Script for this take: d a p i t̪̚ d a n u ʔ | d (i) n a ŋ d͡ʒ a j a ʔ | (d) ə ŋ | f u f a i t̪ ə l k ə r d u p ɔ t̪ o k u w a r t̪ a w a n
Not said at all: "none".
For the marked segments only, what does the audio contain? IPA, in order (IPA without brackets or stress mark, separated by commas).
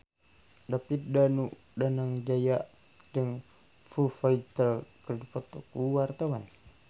a, d